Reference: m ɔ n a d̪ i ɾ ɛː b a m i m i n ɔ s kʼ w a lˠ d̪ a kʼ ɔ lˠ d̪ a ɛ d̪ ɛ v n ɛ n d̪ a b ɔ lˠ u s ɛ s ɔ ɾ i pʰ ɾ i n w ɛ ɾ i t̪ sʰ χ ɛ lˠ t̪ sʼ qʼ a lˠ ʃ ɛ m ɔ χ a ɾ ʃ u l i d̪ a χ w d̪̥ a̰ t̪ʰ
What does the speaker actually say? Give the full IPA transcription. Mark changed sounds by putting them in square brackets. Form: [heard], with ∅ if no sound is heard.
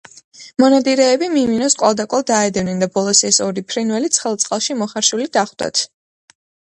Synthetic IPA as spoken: m ɔ n a d̪ i ɾ ɛː b [i] m i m i n ɔ s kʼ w a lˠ d̪ a kʼ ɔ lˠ d̪ a ɛ d̪ ɛ v n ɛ n d̪ a b ɔ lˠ [ɔ] s ɛ s ɔ ɾ i pʰ ɾ i n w ɛ [l] i t̪ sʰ χ ɛ lˠ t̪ sʼ qʼ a lˠ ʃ [i] m ɔ χ a ɾ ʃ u l i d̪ a χ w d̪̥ a̰ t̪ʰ